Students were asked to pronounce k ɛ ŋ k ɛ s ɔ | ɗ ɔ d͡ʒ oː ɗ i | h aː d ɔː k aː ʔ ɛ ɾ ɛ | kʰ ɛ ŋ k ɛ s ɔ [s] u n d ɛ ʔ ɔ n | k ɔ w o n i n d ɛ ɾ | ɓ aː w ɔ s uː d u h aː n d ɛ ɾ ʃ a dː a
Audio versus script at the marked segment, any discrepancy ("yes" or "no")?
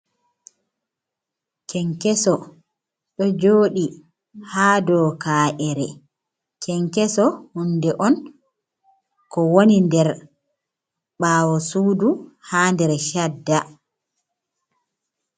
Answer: yes